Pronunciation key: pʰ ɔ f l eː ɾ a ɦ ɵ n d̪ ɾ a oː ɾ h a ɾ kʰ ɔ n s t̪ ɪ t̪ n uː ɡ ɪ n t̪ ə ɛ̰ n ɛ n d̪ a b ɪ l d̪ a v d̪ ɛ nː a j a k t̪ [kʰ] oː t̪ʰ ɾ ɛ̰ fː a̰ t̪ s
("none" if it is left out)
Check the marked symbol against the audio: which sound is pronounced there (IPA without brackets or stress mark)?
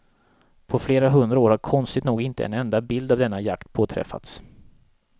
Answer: pʰ